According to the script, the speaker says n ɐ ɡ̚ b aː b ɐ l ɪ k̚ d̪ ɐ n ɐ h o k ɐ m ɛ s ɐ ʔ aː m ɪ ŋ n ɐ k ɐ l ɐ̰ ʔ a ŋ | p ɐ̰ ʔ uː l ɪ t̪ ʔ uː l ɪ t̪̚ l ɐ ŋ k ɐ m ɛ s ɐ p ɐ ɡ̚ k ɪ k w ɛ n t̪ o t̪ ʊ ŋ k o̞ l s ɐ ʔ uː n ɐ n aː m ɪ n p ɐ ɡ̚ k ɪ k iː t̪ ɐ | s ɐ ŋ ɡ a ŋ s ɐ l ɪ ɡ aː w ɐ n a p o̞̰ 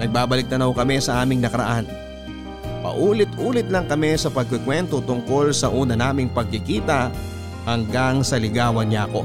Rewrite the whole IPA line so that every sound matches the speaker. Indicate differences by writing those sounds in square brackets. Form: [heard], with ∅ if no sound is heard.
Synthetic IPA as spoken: n ɐ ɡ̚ b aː b ɐ l ɪ k̚ [t̪] ɐ n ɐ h o k ɐ m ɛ s ɐ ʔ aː m ɪ ŋ n ɐ k ɐ [ɾ] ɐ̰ ʔ a [n] | p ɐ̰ ʔ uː l ɪ t̪ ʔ uː l ɪ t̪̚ l ɐ ŋ k ɐ m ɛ s ɐ p ɐ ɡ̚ k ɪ k w ɛ n t̪ o t̪ ʊ ŋ k o̞ l s ɐ ʔ uː n ɐ n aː m ɪ [ŋ] p ɐ ɡ̚ k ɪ k iː t̪ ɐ | [h] ɐ ŋ ɡ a ŋ s ɐ l ɪ ɡ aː w ɐ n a [k] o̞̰